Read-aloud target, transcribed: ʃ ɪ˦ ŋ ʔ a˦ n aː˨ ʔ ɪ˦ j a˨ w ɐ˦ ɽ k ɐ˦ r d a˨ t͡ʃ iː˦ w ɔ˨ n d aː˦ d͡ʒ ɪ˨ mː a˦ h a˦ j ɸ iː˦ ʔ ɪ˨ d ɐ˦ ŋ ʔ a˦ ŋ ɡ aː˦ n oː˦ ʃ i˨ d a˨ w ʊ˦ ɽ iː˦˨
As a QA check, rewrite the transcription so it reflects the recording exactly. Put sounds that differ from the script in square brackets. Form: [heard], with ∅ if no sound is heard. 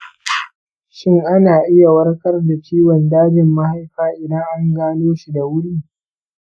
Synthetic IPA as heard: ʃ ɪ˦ ŋ ʔ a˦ n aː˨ ʔ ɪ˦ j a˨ w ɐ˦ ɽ k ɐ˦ r d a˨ t͡ʃ iː˦ w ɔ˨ n d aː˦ d͡ʒ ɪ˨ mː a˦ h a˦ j ɸ [aː˦] ʔ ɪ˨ d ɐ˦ ŋ ʔ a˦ ŋ ɡ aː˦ n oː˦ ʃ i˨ d a˨ w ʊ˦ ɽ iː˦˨